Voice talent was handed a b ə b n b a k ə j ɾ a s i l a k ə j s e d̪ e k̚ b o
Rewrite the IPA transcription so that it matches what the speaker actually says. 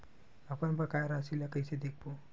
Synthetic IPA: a p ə n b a k a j ɾ a s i l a k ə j s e d̪ e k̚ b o